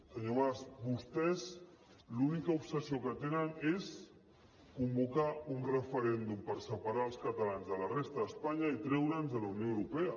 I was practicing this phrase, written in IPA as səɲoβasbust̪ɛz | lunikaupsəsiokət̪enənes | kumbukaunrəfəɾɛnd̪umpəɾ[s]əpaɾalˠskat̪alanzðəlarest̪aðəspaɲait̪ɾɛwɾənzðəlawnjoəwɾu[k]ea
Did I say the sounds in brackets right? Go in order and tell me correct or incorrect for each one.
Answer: correct, incorrect

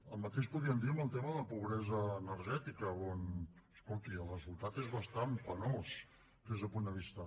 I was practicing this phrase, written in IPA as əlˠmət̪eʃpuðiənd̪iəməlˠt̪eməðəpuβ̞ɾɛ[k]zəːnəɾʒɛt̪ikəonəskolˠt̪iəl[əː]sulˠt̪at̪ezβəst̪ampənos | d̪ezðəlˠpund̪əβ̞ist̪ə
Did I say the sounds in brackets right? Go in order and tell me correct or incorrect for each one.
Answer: incorrect, incorrect

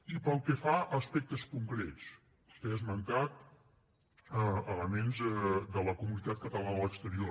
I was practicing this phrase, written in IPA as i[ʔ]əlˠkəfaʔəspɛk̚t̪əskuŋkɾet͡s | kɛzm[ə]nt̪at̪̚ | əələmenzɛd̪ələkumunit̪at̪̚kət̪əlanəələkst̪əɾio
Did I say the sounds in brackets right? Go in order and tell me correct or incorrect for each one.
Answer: incorrect, correct

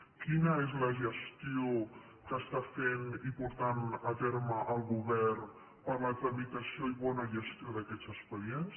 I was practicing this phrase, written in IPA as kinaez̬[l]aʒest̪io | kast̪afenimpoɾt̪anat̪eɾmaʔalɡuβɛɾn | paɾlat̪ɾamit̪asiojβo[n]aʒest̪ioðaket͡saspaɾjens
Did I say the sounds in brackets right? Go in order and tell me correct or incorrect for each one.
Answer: correct, correct

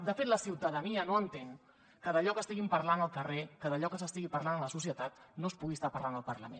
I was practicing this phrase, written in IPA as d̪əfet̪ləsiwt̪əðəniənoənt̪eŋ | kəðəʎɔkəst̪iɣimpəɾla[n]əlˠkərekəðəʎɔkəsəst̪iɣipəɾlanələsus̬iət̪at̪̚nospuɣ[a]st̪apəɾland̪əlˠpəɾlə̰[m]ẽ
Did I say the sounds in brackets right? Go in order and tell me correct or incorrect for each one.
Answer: correct, incorrect, correct

